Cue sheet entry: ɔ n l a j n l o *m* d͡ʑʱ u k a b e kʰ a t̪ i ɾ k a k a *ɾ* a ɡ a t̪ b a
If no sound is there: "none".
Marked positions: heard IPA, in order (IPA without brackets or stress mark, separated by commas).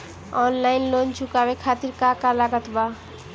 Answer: n, l